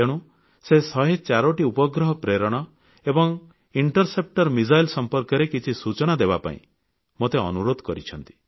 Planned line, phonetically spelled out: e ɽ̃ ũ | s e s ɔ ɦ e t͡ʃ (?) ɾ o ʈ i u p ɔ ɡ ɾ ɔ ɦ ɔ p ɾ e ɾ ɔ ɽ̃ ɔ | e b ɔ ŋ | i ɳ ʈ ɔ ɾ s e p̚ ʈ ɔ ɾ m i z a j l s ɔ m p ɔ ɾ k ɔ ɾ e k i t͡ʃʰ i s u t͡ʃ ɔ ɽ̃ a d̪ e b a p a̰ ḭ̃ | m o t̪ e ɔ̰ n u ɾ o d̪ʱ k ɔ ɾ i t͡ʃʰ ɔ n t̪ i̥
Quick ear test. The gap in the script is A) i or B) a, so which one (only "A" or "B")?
B